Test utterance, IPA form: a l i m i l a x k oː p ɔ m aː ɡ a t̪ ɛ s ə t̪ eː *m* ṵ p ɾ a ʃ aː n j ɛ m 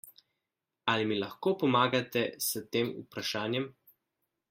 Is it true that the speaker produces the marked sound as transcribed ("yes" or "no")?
yes